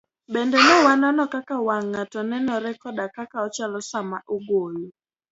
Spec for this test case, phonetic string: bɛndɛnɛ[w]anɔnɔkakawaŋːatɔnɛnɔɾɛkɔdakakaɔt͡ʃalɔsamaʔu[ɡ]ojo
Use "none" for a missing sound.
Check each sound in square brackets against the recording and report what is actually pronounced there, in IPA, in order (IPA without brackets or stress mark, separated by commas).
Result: w, ɡ